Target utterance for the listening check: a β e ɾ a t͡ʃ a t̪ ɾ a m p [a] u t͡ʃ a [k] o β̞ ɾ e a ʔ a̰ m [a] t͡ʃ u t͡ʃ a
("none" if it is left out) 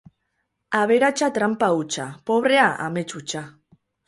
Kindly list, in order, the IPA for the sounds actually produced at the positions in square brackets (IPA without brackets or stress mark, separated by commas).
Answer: a, p, e